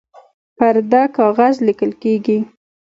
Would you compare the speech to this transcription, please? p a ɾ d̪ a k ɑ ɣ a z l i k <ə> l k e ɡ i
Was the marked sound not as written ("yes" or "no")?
no